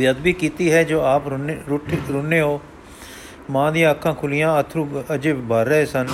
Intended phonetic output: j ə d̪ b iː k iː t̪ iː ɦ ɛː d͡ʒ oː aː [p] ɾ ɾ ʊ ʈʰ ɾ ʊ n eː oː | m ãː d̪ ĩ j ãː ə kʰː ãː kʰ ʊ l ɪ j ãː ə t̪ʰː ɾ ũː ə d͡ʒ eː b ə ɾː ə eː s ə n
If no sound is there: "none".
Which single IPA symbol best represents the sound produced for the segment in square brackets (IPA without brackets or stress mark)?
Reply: p